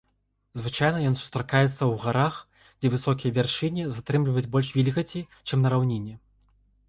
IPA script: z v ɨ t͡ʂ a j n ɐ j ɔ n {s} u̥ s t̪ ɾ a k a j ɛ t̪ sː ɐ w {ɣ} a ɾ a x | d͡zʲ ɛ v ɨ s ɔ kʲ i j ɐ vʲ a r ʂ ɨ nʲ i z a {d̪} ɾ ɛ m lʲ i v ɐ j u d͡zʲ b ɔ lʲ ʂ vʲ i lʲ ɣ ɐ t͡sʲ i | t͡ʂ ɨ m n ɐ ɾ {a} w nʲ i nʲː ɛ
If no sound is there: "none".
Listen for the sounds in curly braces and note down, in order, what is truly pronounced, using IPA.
s, ɣ, t̪, a

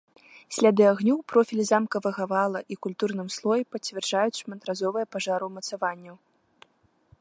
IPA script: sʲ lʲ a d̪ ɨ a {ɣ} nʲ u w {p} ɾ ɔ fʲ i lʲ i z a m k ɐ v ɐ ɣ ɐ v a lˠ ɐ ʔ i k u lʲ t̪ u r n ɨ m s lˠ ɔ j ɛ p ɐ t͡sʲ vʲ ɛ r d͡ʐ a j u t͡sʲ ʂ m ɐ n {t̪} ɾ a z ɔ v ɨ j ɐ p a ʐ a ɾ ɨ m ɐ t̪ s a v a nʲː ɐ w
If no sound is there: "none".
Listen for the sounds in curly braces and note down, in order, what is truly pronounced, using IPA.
ɣ, p, t̪

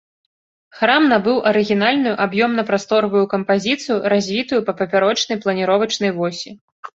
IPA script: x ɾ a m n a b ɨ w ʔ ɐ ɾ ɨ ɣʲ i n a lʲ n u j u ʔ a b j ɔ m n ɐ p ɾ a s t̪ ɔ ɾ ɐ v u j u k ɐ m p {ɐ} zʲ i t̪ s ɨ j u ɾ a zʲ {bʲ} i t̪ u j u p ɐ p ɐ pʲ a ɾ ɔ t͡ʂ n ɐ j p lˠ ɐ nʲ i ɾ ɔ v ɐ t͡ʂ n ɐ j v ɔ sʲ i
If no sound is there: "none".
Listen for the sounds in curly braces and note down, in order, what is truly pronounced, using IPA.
a, vʲ

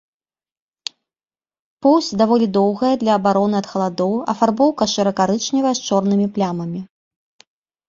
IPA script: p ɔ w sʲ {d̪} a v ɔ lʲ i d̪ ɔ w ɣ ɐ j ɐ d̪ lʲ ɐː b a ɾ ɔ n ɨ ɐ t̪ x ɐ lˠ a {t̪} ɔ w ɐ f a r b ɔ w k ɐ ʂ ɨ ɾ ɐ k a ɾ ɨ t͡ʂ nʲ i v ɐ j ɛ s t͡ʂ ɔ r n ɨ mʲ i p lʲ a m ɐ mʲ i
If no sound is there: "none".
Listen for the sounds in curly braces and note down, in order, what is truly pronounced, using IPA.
d̪, d̪

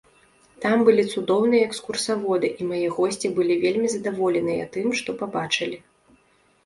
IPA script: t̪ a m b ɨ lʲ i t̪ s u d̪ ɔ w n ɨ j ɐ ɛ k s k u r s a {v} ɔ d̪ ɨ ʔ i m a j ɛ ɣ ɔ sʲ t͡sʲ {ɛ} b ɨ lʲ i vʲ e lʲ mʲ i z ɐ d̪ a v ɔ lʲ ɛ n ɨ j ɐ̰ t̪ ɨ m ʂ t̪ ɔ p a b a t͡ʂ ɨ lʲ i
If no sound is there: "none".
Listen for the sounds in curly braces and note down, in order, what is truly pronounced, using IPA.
v, i

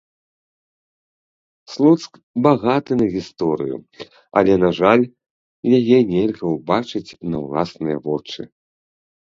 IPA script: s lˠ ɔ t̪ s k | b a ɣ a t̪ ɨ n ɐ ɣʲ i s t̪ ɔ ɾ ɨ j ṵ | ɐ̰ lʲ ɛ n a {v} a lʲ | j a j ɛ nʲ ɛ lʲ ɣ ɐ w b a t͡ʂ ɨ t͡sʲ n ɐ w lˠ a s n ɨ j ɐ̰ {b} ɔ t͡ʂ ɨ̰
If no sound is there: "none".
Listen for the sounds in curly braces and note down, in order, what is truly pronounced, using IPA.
ʐ, v

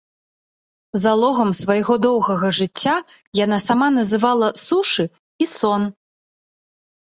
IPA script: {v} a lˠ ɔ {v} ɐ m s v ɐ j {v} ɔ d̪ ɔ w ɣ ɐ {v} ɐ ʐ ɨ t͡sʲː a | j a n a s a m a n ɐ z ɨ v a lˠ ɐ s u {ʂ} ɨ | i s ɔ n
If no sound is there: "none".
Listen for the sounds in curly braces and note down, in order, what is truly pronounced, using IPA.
z, ɣ, ɣ, ɣ, ʂ

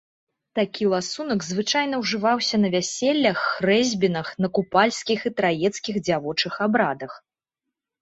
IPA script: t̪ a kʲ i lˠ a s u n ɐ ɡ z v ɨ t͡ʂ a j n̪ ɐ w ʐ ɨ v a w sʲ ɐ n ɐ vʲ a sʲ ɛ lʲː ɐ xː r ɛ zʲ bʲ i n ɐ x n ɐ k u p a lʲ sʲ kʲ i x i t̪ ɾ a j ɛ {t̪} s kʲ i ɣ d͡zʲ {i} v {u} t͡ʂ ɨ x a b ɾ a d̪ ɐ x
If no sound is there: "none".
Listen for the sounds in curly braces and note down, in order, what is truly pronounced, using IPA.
t̪, a, ɔ

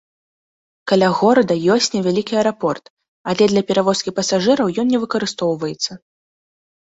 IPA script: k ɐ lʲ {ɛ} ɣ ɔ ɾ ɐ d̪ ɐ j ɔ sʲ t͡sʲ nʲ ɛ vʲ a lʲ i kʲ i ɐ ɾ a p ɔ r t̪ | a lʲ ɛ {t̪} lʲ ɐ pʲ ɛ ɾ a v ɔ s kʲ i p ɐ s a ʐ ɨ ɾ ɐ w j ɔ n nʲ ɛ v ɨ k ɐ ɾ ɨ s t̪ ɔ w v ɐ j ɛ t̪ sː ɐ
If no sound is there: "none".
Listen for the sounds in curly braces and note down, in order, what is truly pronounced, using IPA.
a, d̪

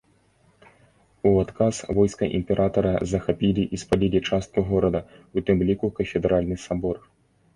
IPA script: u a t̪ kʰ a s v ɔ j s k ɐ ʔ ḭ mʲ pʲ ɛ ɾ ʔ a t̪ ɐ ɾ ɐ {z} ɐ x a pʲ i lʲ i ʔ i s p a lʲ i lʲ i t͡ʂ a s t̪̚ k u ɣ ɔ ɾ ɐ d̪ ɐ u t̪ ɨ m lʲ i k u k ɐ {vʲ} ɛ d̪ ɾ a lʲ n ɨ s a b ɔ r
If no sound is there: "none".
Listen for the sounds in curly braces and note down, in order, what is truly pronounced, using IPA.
z, fʲ

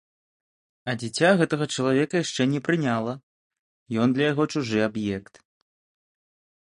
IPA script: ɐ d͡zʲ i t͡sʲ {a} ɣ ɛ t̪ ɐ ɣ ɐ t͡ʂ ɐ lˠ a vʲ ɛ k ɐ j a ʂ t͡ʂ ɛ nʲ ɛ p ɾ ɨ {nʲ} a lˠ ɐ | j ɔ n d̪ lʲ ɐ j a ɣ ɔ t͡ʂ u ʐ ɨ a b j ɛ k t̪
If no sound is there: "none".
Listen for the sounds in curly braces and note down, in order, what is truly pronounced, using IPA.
a, nʲ

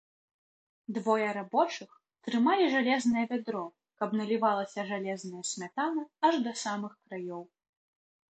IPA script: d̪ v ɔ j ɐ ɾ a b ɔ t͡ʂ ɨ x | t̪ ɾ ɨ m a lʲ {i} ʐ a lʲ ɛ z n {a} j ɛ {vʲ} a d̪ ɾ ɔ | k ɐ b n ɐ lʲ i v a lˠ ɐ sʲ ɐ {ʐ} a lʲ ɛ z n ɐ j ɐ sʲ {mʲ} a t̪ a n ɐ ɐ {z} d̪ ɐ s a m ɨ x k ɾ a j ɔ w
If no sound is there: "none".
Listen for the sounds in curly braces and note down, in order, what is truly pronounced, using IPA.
i, ɐ, vʲ, ʐ, mʲ, ʐ

